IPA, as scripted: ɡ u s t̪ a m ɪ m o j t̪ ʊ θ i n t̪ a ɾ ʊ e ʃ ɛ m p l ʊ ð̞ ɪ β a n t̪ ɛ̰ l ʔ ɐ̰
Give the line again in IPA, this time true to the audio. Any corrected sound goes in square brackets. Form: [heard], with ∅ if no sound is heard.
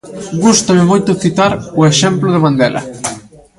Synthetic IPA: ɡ u s t̪ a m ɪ m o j t̪ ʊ θ i [∅] t̪ a ɾ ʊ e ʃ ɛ m p l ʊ ð̞ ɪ β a n [d̪] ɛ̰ l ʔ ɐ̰